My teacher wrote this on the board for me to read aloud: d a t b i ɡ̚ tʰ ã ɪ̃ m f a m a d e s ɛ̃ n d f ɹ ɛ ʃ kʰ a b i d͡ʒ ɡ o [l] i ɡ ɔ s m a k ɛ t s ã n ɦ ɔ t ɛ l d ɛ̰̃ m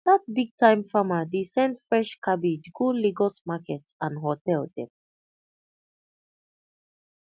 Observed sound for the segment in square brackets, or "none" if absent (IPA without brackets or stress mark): l